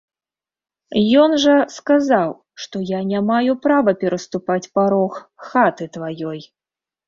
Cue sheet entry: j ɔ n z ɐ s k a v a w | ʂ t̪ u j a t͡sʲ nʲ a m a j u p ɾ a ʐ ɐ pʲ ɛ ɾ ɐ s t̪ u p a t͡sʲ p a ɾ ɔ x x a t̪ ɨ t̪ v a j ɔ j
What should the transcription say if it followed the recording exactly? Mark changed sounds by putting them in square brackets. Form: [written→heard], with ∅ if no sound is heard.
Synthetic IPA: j ɔ n [z→ʐ] ɐ s k a [v→z] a w | ʂ t̪ [u→ɔ] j a [t͡sʲ→∅] nʲ a m a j u p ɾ a [ʐ→v] ɐ pʲ ɛ ɾ ɐ s t̪ u p a t͡sʲ p a ɾ ɔ x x a t̪ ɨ t̪ v a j ɔ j